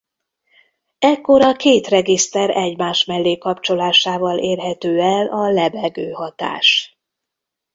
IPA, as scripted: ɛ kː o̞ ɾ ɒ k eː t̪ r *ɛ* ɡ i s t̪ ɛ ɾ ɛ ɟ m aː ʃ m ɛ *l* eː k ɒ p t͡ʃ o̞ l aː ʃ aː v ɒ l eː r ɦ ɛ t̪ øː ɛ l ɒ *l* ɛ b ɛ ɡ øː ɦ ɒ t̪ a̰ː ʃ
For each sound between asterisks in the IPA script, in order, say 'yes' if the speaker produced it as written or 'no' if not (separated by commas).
yes, no, yes